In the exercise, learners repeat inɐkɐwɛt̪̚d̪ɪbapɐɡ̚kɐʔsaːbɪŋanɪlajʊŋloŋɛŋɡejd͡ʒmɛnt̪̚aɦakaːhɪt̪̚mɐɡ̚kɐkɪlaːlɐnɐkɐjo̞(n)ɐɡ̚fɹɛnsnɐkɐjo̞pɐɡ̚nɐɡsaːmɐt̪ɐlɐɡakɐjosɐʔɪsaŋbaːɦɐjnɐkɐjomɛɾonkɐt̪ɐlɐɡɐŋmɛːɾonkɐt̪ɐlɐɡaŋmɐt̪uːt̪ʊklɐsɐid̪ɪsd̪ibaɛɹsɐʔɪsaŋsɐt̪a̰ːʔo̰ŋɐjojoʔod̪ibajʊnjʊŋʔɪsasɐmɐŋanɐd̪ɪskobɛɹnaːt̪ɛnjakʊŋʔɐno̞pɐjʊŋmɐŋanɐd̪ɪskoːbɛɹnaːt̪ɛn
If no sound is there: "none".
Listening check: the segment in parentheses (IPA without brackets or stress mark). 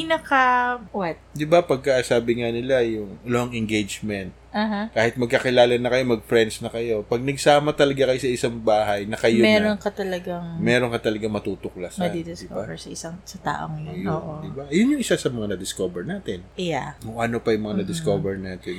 m